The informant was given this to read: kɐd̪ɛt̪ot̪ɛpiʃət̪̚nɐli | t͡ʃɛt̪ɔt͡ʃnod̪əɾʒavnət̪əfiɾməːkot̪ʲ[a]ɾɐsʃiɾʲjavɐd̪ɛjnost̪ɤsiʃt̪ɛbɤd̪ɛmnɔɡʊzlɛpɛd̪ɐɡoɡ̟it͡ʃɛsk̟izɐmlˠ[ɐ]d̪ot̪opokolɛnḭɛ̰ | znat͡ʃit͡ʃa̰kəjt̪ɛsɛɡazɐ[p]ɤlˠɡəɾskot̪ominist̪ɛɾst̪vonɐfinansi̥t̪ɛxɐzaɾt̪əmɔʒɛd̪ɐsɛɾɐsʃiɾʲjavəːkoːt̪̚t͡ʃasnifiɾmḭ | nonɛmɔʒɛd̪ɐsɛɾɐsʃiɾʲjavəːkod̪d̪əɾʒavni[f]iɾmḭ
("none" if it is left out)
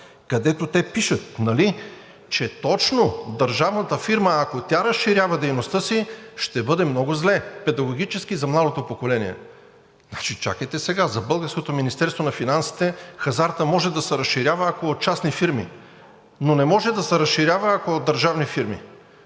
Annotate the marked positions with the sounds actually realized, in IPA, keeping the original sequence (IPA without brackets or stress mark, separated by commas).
a, a, b, f